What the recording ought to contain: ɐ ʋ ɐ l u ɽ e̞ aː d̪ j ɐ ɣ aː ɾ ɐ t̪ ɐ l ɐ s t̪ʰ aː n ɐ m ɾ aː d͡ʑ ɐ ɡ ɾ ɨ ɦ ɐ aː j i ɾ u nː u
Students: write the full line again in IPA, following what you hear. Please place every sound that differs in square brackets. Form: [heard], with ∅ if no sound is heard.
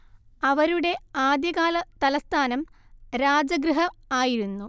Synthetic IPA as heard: ɐ ʋ ɐ [ɾ] u ɽ e̞ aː d̪ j ɐ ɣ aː [l] ɐ t̪ ɐ l ɐ s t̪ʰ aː n ɐ m ɾ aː d͡ʑ ɐ ɡ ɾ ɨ ɦ ɐ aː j i ɾ u nː u